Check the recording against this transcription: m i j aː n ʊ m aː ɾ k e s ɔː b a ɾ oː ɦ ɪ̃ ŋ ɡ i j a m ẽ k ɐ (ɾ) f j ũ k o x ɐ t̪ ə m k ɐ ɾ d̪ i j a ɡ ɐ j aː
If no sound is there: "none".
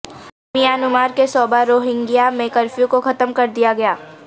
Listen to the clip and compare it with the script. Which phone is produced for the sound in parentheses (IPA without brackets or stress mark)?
ɾ